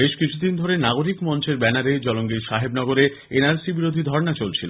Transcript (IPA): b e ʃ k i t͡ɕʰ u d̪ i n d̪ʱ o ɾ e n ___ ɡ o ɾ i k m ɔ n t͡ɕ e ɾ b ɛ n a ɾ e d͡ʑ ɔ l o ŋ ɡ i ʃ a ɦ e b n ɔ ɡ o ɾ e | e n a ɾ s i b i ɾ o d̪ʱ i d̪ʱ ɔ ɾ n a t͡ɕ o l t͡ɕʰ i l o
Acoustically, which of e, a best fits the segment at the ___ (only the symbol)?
a